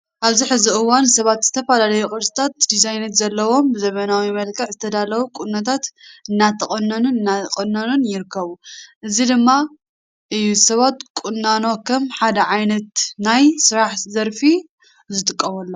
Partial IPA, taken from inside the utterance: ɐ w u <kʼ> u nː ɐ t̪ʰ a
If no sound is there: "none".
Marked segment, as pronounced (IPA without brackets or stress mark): kʼ